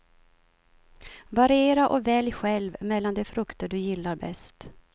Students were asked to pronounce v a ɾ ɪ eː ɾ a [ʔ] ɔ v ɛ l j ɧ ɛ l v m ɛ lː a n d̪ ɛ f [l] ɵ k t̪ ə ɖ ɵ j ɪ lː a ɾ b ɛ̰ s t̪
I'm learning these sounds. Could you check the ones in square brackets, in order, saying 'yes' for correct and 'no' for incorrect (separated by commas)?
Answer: yes, no